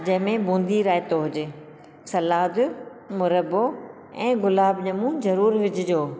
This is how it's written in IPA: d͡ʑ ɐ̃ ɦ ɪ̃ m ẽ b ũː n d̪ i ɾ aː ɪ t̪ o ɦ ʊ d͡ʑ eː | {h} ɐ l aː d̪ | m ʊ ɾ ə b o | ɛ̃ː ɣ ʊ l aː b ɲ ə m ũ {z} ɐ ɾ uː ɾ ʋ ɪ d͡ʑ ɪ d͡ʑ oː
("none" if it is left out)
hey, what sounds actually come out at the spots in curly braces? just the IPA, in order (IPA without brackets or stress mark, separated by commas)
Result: s, z